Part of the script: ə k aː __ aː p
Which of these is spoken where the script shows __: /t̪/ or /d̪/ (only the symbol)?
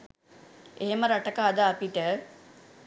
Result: d̪